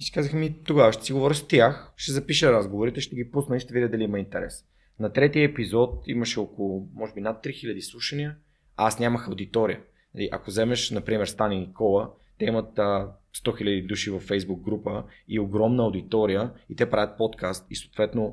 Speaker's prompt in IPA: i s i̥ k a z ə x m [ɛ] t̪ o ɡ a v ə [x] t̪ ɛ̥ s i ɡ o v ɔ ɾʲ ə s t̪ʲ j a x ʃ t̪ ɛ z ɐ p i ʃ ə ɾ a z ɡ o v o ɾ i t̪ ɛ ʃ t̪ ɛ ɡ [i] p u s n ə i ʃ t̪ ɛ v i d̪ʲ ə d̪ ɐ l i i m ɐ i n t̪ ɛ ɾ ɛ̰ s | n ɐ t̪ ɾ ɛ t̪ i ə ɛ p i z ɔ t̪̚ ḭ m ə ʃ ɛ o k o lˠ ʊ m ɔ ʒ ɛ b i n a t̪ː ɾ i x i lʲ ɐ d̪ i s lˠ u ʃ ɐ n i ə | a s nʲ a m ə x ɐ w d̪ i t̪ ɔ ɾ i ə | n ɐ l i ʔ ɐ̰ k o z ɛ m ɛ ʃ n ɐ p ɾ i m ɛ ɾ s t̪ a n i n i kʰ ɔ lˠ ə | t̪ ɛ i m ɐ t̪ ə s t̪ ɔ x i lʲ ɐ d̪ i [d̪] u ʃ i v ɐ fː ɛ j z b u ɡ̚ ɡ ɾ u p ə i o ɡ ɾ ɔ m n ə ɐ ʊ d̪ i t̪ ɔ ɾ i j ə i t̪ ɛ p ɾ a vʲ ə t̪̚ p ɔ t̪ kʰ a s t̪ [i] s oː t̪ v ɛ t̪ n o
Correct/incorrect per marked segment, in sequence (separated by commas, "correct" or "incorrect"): incorrect, incorrect, correct, correct, correct